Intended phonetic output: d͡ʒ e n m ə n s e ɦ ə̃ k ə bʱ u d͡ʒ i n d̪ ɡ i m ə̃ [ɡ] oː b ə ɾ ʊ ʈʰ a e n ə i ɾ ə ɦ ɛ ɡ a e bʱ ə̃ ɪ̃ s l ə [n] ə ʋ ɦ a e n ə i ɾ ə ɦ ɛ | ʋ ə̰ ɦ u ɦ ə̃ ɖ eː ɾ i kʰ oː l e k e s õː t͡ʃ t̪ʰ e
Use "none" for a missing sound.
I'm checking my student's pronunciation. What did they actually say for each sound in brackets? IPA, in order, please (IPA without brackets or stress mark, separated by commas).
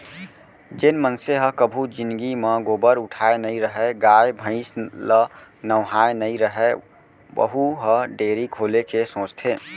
ɡ, n